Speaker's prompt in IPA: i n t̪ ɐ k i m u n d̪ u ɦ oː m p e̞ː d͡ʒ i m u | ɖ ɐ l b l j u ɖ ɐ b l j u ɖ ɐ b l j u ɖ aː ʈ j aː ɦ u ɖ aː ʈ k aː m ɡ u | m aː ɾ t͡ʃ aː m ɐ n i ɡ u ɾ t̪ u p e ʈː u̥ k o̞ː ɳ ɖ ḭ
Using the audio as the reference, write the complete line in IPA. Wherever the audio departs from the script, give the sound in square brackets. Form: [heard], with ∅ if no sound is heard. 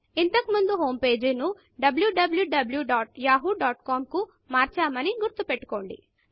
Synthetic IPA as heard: i n t̪ ɐ k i m u n d̪ u ɦ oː m p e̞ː d͡ʒ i [n] u | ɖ ɐ [∅] b l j u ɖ ɐ b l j u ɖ ɐ b l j u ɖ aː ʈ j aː ɦ u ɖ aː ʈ k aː m [k] u | m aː ɾ t͡ʃ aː m ɐ n i ɡ u ɾ t̪ u p e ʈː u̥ k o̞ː ɳ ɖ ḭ